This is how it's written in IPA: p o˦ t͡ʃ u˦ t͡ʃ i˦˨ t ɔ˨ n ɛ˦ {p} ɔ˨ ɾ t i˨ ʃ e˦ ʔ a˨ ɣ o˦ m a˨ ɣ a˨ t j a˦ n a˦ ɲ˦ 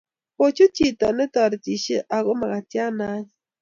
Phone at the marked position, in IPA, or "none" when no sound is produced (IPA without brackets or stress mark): t